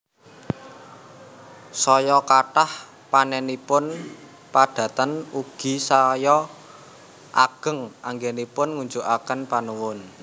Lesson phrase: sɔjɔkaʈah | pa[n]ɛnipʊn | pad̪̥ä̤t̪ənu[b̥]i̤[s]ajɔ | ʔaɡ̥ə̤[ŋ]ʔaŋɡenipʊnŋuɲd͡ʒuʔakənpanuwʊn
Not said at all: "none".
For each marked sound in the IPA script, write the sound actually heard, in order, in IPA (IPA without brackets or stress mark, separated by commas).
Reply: n, ɡ̥, s, ŋ